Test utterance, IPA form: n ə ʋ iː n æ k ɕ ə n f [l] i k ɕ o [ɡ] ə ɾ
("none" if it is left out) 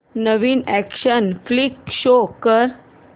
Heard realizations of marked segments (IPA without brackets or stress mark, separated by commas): l, k